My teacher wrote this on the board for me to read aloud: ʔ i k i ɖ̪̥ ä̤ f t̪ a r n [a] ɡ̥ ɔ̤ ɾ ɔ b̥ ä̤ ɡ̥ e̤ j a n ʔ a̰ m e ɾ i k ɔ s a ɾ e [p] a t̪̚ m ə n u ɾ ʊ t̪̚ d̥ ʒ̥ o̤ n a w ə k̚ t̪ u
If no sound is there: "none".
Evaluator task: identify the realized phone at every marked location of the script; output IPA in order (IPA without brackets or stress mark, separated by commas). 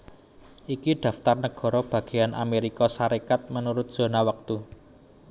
ə, k